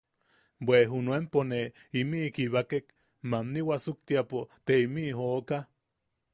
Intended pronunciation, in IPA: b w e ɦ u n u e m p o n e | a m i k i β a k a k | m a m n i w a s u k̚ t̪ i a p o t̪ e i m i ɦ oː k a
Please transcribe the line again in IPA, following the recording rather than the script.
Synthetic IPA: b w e ɦ u n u e m p o n e | i m i k i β a k e k | m a m n i w a s u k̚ t̪ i a p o t̪ e i m i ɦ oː k a